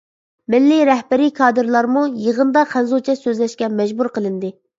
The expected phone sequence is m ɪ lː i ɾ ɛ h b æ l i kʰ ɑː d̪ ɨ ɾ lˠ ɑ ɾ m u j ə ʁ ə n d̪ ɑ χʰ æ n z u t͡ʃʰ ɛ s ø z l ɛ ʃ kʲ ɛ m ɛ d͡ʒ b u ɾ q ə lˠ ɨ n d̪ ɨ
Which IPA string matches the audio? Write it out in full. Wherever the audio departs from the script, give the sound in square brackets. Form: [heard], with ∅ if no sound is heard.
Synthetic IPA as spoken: m ɪ lː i ɾ ɛ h b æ [ɾ] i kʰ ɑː d̪ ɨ ɾ lˠ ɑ ɾ m u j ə ʁ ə n d̪ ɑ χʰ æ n z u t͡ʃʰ ɛ s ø z l ɛ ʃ kʲ ɛ m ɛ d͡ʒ b u ɾ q ə lˠ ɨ n d̪ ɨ